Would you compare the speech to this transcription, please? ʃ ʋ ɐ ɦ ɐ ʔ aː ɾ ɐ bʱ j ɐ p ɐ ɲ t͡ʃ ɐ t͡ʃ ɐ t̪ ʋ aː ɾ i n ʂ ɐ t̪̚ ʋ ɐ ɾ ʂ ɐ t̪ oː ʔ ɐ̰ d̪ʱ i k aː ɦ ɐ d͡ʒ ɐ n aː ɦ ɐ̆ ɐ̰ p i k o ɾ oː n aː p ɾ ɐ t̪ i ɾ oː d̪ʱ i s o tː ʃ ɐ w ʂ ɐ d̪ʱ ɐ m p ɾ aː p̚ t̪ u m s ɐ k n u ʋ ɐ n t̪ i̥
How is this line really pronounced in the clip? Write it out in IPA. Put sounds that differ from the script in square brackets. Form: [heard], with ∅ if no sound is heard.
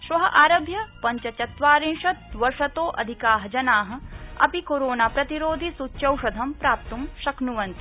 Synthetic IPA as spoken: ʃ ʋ ɐ ɦ ɐ ʔ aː ɾ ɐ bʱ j ɐ p ɐ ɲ t͡ʃ ɐ t͡ʃ ɐ t̪ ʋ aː ɾ i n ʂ ɐ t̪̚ ʋ ɐ ɾ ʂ ɐ t̪ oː ʔ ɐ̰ d̪ʱ i k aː ɦ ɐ d͡ʒ ɐ n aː ɦ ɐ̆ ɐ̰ p i k o ɾ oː n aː p ɾ ɐ t̪ i ɾ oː d̪ʱ i s [u] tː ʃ ɐ w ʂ ɐ d̪ʱ ɐ m p ɾ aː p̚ t̪ u m [ʃ] ɐ k n u ʋ ɐ n t̪ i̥